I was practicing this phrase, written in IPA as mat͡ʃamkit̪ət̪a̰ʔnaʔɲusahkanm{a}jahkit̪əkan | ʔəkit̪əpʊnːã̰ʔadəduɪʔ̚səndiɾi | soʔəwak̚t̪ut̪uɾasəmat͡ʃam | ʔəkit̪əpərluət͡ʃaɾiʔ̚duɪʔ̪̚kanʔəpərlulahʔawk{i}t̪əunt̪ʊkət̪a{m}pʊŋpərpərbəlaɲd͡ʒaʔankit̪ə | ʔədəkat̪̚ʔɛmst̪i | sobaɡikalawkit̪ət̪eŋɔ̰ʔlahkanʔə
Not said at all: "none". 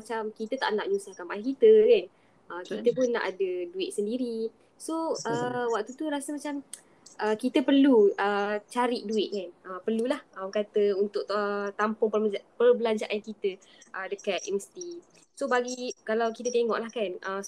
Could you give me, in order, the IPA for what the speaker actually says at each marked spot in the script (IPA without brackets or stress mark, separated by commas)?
a, a, m